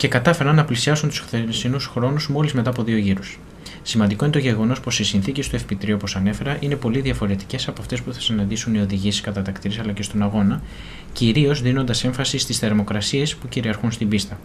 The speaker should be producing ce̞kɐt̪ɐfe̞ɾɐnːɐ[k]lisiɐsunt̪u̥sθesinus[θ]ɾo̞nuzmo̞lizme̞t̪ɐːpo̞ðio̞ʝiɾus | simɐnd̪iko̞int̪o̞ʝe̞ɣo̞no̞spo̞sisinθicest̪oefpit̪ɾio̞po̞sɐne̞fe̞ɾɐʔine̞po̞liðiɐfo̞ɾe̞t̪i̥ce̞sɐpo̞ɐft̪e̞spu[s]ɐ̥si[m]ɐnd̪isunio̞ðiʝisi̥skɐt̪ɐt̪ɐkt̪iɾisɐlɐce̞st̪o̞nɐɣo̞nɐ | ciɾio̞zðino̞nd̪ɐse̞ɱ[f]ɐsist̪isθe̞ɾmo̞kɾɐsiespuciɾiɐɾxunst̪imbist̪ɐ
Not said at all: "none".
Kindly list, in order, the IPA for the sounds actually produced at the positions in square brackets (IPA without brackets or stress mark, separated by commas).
p, x, θ, n, f